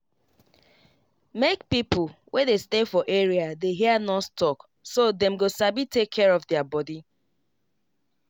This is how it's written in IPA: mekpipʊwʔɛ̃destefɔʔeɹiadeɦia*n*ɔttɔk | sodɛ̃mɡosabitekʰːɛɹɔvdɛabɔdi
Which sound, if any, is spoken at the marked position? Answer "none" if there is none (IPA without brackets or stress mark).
n